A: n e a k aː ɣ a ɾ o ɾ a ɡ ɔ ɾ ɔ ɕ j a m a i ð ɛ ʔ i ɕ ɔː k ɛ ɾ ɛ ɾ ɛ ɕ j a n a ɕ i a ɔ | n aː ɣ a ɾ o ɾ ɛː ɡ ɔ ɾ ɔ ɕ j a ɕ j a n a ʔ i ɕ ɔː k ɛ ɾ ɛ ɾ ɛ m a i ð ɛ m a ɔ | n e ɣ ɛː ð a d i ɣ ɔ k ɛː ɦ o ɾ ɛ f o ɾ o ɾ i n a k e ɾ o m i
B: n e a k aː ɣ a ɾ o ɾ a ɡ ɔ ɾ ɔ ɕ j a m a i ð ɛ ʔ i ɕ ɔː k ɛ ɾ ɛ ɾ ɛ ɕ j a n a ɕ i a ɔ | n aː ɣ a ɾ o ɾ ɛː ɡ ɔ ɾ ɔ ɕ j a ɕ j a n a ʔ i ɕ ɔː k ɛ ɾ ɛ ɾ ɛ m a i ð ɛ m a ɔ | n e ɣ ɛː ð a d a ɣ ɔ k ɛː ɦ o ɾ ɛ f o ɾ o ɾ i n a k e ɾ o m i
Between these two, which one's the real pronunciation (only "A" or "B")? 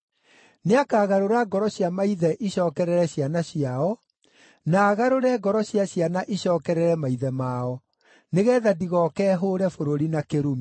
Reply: A